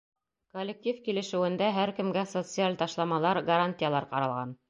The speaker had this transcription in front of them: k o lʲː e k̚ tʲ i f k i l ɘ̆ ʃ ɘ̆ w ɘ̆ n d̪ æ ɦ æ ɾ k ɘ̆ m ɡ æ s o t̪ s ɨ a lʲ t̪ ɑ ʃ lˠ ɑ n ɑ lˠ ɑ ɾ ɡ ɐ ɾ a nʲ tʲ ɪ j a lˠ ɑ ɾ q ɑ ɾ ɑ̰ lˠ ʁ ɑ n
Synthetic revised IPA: k o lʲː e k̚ tʲ i f k i l ɘ̆ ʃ ɘ̆ w ɘ̆ n d̪ æ ɦ æ ɾ k ɘ̆ m ɡ æ s o t̪ s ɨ a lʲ t̪ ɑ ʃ lˠ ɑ m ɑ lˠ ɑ ɾ ɡ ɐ ɾ a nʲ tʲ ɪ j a lˠ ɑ ɾ q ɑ ɾ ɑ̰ lˠ ʁ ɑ n